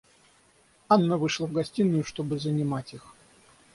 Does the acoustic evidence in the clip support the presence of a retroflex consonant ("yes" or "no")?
yes